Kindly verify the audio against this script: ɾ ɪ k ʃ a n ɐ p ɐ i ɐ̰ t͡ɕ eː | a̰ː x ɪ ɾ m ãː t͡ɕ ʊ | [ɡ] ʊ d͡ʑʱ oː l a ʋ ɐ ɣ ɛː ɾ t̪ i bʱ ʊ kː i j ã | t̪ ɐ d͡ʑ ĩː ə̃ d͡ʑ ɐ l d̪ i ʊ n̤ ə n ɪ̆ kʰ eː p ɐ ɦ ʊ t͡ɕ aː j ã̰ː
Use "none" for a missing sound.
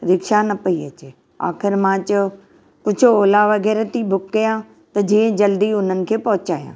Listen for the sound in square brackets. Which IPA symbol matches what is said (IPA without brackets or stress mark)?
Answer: k